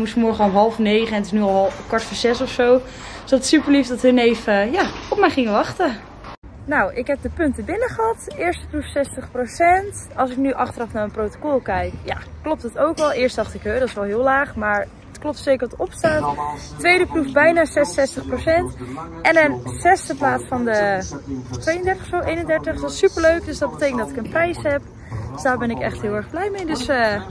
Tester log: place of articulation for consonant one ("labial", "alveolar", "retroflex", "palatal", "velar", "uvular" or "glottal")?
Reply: labial